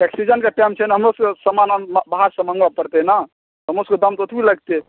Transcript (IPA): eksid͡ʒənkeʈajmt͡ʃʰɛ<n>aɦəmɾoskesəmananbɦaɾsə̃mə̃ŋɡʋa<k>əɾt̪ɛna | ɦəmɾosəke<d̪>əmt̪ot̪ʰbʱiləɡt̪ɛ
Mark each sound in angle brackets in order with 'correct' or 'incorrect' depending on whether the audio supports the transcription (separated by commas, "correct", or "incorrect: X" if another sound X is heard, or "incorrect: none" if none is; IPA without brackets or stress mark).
correct, incorrect: p, correct